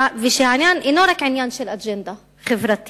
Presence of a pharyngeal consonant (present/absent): present